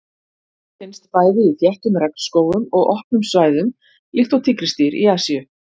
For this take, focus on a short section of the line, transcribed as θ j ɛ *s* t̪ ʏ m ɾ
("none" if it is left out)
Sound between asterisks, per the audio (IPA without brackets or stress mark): h